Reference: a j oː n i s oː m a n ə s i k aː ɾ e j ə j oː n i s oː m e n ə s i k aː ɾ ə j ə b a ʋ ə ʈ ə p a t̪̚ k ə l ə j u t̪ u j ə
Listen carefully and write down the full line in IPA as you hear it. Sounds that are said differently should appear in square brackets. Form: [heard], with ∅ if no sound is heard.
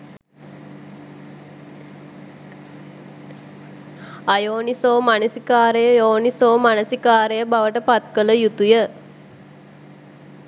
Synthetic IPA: a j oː n i s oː m a n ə s i k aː ɾ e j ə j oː n i s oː m [a] n ə s i k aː ɾ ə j ə b a ʋ ə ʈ ə p a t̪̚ k ə l ə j u t̪ u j ə